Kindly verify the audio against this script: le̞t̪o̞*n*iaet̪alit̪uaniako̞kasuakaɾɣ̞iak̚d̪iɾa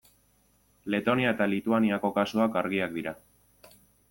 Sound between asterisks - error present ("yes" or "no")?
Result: no